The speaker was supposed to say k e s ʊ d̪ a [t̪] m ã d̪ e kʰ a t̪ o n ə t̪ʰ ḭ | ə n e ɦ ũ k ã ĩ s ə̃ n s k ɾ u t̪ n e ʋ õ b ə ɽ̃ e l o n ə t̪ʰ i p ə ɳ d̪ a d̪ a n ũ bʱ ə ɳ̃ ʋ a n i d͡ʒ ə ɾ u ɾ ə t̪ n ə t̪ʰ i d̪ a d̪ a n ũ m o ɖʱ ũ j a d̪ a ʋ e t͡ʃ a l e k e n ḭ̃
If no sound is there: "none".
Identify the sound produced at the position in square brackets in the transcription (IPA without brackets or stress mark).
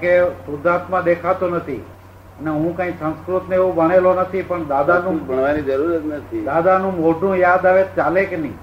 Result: t̪